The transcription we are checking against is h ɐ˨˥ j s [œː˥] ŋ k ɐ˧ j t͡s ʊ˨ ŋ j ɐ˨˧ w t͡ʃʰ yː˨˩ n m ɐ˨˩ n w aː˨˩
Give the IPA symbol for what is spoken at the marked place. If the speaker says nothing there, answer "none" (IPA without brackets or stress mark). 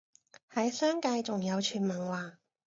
œː˥